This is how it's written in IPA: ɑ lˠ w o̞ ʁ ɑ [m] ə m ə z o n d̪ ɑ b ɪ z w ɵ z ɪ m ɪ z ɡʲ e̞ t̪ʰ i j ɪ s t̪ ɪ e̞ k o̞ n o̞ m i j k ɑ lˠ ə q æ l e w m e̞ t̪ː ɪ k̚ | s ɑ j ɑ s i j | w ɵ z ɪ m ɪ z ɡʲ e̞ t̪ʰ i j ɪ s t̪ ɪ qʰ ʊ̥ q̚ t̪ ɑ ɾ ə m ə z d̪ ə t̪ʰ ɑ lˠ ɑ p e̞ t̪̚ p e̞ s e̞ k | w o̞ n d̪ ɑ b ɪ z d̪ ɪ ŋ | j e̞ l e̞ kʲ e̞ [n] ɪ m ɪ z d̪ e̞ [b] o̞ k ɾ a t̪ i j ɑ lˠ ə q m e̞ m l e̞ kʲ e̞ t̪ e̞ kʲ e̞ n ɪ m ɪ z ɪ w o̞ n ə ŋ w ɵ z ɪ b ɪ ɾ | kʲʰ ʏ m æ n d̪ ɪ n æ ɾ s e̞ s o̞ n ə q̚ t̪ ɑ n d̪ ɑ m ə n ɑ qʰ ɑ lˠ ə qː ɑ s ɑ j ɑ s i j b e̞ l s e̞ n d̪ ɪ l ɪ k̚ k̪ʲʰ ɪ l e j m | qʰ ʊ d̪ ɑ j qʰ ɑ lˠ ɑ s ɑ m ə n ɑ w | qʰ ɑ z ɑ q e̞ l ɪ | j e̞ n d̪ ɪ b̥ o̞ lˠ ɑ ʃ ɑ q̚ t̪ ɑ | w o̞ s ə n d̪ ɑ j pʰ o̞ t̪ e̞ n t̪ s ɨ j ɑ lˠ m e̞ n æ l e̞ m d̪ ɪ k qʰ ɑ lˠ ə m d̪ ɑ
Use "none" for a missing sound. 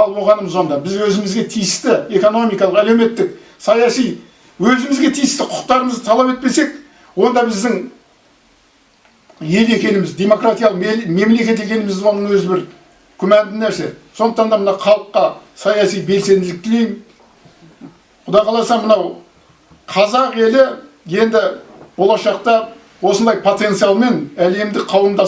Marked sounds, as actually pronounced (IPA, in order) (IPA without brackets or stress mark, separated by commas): n, n, m